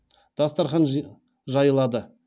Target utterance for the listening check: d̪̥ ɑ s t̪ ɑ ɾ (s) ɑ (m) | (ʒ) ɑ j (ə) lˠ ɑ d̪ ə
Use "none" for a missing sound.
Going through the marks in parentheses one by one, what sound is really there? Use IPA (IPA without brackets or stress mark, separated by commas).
χ, n, ʒ, ə